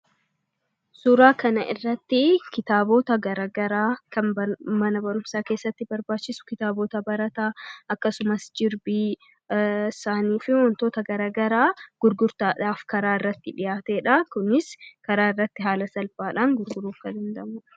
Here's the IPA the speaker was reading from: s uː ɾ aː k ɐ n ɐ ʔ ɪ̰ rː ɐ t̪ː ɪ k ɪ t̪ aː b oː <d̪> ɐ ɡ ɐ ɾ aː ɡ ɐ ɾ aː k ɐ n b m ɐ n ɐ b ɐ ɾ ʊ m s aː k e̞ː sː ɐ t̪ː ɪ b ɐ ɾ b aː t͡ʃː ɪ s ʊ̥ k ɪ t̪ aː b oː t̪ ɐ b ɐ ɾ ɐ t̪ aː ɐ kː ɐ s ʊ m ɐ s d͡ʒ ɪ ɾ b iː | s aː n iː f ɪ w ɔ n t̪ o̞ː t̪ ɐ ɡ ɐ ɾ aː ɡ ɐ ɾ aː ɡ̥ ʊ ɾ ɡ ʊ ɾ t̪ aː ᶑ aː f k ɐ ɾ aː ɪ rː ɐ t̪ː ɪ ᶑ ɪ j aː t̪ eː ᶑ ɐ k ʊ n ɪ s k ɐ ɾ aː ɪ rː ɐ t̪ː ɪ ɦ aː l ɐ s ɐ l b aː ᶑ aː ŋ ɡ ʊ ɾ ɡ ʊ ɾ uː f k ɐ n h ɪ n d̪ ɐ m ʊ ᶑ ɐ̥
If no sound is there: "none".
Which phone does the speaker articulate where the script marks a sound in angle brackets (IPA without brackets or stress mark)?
t̪